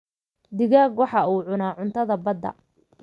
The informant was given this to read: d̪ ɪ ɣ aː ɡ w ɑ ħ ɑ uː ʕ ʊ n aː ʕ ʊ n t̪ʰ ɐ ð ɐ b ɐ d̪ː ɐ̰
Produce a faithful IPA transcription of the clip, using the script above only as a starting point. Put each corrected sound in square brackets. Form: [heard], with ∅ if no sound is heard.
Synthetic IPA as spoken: d̪ ɪ ɣ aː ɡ w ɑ ħ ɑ uː ʕ ʊ n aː ʕ ʊ n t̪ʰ ɐ ð ɐ b ɐ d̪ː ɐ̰